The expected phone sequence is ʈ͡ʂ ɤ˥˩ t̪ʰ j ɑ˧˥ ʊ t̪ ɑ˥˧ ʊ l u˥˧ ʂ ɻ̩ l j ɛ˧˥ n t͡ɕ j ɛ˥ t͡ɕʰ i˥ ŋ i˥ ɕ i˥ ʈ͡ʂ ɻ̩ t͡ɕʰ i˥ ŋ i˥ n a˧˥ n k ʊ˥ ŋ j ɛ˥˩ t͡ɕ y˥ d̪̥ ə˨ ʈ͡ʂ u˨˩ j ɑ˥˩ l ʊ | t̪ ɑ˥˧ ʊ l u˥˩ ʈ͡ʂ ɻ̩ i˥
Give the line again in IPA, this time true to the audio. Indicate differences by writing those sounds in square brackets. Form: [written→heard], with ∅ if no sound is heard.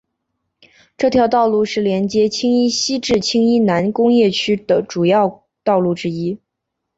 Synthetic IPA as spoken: ʈ͡ʂ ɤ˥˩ t̪ʰ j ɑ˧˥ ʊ t̪ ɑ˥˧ ʊ l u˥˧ ʂ ɻ̩ l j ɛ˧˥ n t͡ɕ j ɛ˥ t͡ɕʰ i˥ ŋ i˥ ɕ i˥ ʈ͡ʂ ɻ̩ t͡ɕʰ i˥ ŋ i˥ n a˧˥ n k ʊ˥ ŋ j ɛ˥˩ [t͡ɕ→t͡ɕʰ] y˥ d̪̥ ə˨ ʈ͡ʂ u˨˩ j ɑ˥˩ [l→∅] ʊ | t̪ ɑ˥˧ ʊ l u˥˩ ʈ͡ʂ ɻ̩ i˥